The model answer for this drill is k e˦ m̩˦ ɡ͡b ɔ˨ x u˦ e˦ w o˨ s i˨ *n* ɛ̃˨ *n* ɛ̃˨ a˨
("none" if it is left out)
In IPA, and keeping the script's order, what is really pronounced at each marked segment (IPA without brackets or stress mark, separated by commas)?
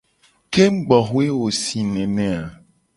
n, n